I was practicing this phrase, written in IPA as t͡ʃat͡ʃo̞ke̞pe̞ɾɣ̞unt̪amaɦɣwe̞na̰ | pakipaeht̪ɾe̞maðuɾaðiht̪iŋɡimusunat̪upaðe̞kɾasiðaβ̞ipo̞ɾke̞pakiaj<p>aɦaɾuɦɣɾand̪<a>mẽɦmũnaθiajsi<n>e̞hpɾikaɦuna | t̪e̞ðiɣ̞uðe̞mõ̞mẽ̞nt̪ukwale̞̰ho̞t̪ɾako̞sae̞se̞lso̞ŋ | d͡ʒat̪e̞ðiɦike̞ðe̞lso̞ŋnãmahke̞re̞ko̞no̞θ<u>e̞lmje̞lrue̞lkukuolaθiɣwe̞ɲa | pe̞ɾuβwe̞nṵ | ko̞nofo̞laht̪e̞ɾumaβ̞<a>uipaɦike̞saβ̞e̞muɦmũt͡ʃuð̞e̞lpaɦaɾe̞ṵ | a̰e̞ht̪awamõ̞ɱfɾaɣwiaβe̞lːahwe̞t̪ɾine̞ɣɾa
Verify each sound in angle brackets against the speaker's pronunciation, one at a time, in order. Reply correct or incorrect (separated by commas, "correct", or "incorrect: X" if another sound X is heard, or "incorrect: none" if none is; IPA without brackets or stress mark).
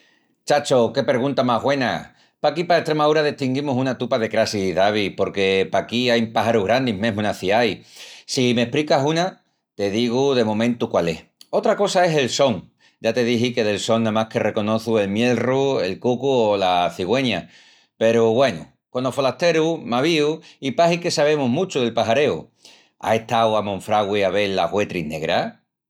correct, incorrect: i, incorrect: m, correct, incorrect: i